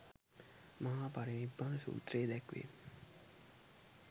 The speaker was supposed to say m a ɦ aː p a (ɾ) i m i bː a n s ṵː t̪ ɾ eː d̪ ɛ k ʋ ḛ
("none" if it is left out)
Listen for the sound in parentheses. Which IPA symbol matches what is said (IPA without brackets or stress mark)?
ɾ